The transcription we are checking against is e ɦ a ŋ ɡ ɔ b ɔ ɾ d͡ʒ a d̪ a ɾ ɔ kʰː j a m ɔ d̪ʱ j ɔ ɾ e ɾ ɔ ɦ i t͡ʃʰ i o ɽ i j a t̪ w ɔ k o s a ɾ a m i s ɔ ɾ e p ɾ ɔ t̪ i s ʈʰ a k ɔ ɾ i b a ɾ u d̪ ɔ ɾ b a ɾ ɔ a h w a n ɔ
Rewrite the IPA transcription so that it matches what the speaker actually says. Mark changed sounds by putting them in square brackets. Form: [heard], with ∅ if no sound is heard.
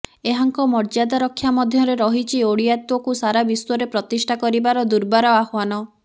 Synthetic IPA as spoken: e ɦ a ŋ [k] ɔ [m] ɔ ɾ d͡ʒ a d̪ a ɾ ɔ kʰː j a m ɔ d̪ʱ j ɔ ɾ e ɾ ɔ ɦ i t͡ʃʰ i o ɽ i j a t̪ w ɔ k [u] s a ɾ a [b] i s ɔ ɾ e p ɾ ɔ t̪ i s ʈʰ a k ɔ ɾ i b a ɾ [ɔ] d̪ [u] ɾ b a ɾ ɔ a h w a n ɔ